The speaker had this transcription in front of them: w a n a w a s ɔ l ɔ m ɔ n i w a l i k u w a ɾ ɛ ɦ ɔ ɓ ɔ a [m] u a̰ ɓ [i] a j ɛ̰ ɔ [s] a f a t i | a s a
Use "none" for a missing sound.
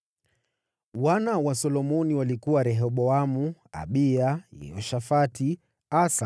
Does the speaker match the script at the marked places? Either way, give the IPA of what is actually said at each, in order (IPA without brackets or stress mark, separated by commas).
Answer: m, i, ʃ